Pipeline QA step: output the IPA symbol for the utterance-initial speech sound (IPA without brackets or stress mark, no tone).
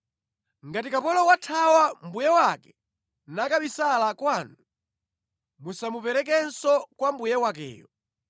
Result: ŋ